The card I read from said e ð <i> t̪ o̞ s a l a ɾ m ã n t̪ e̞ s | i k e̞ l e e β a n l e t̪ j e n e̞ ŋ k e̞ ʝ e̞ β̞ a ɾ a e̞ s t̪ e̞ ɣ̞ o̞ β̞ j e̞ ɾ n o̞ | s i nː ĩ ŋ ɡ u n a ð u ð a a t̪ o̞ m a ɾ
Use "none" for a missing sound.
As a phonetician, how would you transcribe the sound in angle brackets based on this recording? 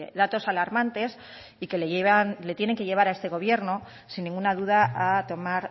a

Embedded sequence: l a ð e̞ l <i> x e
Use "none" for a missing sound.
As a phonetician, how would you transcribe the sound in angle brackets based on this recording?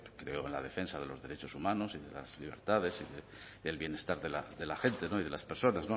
a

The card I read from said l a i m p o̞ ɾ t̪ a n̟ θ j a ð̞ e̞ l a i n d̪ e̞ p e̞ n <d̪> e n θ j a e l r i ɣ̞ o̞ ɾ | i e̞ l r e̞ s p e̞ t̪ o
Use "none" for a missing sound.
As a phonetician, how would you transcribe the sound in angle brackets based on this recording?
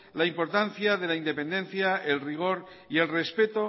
d̪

